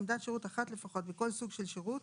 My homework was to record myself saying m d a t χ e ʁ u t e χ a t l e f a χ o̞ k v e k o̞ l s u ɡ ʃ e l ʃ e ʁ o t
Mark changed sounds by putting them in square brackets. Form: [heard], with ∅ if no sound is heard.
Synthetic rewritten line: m d a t [ʃ] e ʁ u t [a] χ a t l e f a χ o̞ [t] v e k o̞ l s u ɡ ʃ e l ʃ e ʁ [u] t